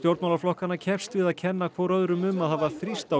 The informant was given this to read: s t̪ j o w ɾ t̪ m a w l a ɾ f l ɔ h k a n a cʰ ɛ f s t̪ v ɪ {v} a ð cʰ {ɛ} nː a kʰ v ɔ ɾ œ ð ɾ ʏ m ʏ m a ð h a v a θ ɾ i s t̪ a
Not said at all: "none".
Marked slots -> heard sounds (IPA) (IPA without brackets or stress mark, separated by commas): ð, ɛ